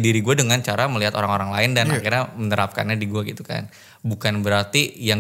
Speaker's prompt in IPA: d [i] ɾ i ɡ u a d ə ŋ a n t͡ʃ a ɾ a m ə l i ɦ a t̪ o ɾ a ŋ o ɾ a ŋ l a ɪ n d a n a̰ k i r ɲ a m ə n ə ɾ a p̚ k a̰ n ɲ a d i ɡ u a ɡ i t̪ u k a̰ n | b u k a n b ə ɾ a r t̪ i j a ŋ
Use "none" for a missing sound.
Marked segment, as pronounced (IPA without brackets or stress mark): i